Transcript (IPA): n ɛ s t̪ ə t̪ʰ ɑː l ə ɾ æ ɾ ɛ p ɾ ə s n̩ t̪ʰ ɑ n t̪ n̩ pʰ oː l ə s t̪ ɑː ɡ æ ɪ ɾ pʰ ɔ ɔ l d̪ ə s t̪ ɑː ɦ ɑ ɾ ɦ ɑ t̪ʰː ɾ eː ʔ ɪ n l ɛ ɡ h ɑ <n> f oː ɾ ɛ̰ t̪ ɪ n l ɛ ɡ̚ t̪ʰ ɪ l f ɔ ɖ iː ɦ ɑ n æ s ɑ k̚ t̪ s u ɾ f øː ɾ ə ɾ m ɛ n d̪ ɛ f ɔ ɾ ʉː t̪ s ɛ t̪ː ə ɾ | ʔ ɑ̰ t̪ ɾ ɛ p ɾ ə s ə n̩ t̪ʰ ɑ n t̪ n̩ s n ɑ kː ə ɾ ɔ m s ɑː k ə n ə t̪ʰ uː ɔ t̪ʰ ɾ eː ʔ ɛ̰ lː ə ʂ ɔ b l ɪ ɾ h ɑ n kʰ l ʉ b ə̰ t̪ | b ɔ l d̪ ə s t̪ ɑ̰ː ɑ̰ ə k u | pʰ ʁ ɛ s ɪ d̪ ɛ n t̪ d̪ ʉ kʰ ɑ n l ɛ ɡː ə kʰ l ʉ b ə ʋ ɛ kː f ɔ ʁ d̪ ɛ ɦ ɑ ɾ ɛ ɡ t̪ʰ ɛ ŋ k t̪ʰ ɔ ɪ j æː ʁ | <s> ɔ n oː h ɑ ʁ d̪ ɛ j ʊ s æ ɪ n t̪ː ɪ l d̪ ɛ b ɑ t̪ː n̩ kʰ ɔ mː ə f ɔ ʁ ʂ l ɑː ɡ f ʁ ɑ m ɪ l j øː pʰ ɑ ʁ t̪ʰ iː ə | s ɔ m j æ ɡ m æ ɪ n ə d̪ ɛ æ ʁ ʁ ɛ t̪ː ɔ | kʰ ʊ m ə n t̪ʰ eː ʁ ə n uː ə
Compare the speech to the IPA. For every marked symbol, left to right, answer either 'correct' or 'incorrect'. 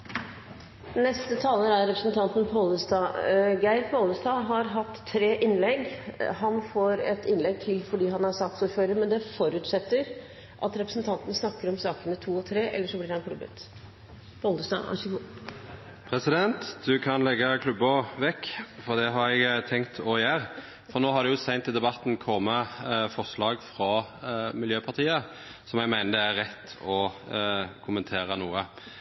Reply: correct, incorrect: f

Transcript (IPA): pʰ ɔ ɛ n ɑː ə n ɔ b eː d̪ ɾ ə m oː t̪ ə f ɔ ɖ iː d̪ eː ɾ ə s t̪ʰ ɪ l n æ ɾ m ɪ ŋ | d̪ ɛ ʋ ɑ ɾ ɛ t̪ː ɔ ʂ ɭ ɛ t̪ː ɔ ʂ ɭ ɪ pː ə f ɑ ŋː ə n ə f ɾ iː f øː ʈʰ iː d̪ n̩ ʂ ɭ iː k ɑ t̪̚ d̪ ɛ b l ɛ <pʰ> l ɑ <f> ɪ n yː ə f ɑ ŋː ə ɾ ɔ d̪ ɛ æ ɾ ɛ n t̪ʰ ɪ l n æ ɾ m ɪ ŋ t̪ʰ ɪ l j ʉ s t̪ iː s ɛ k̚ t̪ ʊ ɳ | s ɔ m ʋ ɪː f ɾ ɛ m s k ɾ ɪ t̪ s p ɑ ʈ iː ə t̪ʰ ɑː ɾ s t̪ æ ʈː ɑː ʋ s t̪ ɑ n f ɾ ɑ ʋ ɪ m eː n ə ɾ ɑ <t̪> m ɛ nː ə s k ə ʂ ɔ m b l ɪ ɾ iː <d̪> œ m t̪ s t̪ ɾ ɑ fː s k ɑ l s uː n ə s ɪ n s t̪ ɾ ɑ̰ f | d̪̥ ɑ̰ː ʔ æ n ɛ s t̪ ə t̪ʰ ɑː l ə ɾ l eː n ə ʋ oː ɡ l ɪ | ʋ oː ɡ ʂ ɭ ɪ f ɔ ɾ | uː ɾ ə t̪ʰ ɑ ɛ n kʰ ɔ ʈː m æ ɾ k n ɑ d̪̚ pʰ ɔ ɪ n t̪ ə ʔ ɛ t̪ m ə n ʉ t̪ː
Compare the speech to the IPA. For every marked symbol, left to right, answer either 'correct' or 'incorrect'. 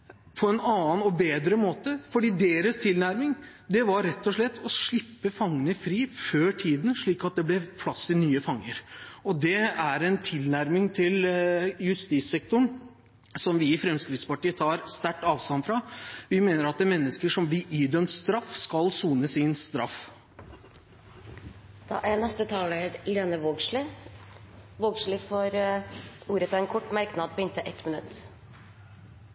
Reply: correct, incorrect: s, correct, correct

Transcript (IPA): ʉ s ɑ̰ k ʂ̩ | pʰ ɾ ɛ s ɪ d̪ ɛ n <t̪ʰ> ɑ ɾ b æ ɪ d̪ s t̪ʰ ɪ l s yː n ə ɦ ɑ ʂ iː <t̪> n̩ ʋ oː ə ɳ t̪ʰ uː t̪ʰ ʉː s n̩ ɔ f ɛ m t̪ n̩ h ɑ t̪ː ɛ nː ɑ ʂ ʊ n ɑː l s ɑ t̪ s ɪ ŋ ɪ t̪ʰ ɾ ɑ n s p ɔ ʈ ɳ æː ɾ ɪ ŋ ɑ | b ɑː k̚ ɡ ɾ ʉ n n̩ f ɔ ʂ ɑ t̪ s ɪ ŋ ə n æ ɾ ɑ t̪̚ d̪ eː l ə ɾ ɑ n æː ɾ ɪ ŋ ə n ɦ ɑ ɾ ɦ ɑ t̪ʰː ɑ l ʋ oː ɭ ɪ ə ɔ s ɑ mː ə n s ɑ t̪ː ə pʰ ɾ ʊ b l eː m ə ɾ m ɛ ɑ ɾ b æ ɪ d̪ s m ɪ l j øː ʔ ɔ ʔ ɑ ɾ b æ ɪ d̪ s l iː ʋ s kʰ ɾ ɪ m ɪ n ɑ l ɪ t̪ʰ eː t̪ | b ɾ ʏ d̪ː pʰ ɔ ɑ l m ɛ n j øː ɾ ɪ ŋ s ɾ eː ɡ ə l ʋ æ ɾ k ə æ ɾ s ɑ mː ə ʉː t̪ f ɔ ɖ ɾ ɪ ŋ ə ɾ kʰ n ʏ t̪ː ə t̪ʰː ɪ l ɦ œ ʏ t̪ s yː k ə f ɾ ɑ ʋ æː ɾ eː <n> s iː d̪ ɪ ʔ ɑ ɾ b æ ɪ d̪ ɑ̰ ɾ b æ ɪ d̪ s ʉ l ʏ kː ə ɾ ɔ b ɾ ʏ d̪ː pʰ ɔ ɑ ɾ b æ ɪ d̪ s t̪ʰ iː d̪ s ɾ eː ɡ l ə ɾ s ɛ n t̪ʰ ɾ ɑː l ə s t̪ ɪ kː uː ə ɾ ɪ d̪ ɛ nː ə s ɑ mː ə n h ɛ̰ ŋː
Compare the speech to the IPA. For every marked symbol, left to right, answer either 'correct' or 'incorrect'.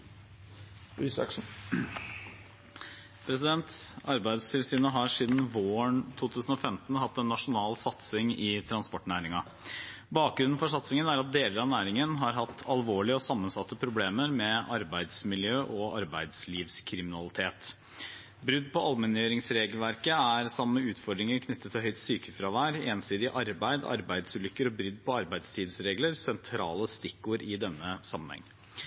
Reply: incorrect: t̪, incorrect: d̪, correct

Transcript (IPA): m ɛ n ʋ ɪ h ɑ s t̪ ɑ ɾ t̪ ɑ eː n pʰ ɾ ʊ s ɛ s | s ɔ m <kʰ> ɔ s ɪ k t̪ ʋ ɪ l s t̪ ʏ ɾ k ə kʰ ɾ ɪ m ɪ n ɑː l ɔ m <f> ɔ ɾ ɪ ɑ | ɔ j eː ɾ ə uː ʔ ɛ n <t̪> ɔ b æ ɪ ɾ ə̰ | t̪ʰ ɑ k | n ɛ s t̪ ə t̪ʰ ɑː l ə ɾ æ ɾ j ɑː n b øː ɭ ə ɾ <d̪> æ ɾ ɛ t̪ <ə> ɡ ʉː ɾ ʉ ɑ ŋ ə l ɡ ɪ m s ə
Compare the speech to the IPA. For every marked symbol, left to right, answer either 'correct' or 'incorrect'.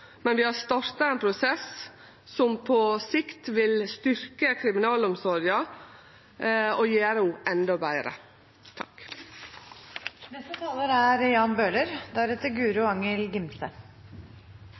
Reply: incorrect: pʰ, incorrect: s, incorrect: d̪, correct, correct

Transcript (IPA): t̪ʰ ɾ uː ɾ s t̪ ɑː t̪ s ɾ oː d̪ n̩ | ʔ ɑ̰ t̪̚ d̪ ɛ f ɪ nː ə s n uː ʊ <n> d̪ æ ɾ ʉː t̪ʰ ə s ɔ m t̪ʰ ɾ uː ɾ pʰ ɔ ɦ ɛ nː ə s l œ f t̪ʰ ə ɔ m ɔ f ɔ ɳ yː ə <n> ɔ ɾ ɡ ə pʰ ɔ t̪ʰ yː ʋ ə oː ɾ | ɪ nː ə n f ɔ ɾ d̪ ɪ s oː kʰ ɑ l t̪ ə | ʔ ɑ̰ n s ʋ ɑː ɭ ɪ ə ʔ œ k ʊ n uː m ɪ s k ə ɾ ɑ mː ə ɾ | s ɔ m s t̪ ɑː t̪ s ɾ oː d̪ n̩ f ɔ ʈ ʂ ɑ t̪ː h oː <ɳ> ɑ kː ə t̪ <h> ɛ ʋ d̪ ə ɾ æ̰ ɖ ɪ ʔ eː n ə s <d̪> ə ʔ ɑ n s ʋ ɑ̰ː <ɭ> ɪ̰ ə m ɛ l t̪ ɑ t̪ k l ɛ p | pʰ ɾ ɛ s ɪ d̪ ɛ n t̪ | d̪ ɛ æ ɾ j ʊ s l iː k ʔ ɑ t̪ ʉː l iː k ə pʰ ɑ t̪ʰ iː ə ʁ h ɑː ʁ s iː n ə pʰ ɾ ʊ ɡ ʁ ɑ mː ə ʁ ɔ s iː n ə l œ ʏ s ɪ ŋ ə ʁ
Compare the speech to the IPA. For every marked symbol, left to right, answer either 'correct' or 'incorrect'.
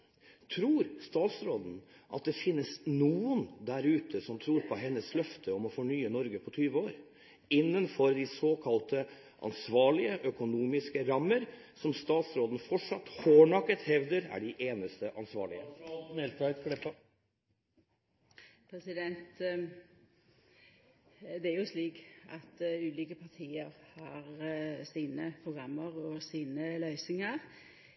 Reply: correct, correct, correct, correct, incorrect: t̪, correct

